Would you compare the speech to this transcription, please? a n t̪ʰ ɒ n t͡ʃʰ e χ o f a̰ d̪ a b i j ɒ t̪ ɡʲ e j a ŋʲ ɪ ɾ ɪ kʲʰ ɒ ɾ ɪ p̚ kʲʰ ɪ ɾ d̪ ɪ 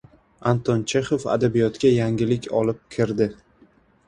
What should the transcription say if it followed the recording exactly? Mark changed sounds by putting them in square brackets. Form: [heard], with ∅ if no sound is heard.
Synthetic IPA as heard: a n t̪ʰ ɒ n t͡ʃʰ e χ o f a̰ d̪ a b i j ɒ t̪ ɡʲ [a] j a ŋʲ ɪ [l] ɪ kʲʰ ɒ [l] ɪ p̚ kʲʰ ɪ ɾ d̪ ɪ